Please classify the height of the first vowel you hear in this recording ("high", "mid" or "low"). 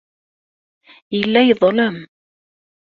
mid